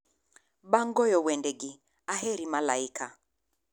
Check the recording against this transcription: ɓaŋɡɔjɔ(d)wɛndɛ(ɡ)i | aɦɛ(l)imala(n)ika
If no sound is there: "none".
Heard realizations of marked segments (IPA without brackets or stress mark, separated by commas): none, ɡ, ɾ, none